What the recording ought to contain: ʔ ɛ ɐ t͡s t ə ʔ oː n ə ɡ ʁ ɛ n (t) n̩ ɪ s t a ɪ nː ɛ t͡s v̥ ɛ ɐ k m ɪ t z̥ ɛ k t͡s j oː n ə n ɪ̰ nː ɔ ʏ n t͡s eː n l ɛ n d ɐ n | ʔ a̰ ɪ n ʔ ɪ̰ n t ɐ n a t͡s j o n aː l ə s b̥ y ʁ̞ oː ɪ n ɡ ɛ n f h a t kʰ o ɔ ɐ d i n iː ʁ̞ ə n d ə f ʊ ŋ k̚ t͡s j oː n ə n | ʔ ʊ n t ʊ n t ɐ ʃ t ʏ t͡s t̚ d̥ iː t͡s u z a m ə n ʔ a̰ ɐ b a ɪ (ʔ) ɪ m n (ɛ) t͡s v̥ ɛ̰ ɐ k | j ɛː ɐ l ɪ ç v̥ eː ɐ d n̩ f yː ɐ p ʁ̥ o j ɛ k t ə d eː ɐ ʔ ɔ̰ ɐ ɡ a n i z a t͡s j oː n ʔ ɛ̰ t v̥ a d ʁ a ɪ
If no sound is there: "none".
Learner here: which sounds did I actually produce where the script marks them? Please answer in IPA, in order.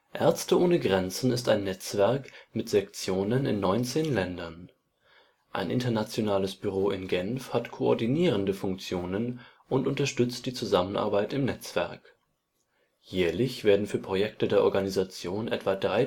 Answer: t͡s, t, ɛ

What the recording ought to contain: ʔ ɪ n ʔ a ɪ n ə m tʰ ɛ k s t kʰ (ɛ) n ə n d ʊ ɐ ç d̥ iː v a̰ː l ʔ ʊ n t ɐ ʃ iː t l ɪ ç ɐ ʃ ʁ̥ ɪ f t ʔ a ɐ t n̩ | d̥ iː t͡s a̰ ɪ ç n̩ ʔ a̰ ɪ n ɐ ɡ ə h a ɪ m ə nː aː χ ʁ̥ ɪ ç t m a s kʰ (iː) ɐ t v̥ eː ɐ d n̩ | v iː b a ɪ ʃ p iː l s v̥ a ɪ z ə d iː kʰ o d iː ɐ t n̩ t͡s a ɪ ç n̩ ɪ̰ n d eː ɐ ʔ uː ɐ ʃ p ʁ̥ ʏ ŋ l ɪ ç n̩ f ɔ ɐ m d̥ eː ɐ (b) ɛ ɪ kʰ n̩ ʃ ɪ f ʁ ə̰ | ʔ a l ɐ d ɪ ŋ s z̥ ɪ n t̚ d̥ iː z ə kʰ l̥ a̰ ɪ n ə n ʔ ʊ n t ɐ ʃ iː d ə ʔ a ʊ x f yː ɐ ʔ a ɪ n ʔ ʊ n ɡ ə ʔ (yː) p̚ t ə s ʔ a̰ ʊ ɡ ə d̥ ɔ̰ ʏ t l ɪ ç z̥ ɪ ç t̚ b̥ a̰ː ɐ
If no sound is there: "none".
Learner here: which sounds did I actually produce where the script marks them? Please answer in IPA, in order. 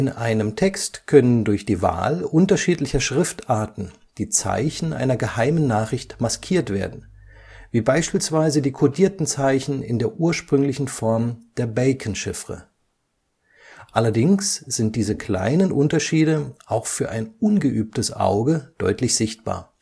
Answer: œ, iː, b, yː

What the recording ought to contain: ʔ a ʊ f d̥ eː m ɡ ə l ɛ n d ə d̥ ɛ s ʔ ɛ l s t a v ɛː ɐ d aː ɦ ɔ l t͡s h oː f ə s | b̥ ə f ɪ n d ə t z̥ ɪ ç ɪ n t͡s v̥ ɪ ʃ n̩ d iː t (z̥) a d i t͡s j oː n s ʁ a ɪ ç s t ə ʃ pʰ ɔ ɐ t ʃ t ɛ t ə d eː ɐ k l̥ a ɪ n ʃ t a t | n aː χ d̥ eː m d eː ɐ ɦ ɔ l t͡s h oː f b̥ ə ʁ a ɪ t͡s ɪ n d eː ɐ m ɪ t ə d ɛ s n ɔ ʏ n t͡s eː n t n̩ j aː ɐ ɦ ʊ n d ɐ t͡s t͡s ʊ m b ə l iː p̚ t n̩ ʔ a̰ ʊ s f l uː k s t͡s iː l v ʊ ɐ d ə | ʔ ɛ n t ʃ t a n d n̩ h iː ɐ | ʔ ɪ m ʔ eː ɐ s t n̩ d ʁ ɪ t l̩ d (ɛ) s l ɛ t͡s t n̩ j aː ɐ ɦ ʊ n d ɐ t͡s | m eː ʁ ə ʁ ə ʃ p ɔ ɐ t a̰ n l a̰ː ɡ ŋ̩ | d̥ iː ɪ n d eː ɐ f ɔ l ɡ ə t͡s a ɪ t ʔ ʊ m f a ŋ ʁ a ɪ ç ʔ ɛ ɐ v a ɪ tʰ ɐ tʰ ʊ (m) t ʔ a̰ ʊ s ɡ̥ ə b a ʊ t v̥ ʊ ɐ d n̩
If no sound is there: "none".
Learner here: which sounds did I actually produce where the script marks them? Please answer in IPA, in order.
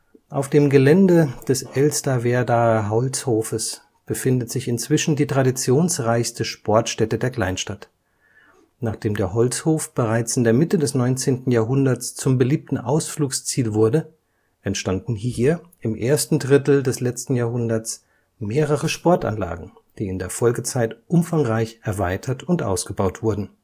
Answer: ʁ̥, ɛ, n

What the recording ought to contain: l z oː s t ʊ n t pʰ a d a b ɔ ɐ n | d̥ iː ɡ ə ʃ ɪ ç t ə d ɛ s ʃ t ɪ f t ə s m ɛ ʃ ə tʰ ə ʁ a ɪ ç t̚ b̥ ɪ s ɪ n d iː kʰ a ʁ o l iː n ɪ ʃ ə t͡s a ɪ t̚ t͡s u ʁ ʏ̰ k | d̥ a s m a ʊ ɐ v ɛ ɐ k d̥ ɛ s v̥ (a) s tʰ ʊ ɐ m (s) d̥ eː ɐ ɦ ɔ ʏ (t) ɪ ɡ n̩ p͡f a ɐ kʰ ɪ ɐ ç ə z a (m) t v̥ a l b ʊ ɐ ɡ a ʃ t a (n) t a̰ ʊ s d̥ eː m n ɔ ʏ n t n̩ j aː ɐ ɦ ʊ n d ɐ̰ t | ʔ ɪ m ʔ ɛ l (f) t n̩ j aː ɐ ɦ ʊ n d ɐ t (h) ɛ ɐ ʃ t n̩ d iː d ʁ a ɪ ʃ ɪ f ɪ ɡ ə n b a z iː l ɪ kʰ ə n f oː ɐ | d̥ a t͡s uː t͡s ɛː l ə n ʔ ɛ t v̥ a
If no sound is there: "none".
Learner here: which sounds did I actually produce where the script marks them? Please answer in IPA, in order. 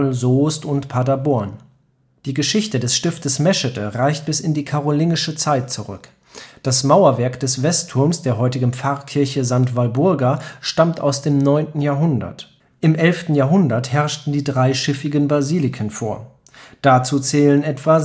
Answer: ɛ, s, t, ŋ, m, f, h

